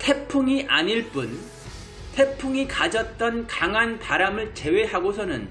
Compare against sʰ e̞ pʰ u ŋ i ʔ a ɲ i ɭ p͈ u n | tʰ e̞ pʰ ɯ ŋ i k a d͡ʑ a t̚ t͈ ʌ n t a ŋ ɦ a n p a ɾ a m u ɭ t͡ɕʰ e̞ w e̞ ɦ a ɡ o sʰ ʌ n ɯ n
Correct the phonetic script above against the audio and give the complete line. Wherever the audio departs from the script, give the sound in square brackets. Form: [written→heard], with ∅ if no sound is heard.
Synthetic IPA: [sʰ→tʰ] e̞ pʰ u ŋ i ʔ a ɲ i ɭ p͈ u n | tʰ e̞ pʰ [ɯ→u] ŋ i k a d͡ʑ [a→ʌ] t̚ t͈ ʌ n [t→k] a ŋ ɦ a n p a ɾ a m [u→ɯ] ɭ [t͡ɕʰ→t͡ɕ] e̞ w e̞ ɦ a ɡ o sʰ ʌ n ɯ n